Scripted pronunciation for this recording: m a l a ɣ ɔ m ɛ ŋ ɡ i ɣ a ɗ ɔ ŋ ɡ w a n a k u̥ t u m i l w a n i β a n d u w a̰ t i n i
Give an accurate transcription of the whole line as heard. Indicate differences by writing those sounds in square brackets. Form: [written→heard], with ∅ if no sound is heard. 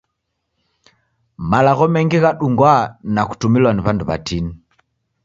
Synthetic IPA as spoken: m a l a ɣ ɔ m ɛ ŋ ɡ i ɣ a ɗ [ɔ→u] ŋ ɡ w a n a k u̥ t u m i l w a n i β a n d u [w→β] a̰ t i n i